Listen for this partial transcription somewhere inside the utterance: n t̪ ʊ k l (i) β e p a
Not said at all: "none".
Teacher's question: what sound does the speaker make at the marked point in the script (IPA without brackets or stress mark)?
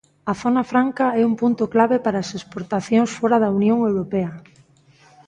a